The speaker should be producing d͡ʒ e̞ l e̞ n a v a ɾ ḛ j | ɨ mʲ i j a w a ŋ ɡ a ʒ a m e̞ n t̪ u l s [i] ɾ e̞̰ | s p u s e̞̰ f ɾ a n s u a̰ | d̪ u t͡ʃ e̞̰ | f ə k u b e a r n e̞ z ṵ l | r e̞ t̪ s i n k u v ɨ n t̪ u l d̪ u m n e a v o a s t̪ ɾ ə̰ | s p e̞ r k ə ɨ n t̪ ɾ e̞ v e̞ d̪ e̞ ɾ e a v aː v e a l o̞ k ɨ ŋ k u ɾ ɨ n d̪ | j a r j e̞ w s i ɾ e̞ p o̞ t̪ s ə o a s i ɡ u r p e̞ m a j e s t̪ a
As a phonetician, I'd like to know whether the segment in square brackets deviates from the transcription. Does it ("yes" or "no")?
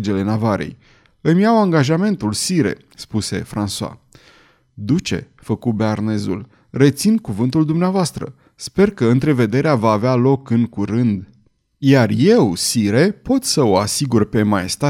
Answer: no